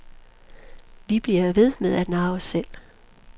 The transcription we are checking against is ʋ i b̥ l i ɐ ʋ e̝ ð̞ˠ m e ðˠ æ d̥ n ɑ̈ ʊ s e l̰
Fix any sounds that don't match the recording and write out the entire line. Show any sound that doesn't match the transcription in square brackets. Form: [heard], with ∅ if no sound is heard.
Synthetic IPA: ʋ i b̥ l i ɐ ʋ e̝ ð̞ˠ m e ðˠ æ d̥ n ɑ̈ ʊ s e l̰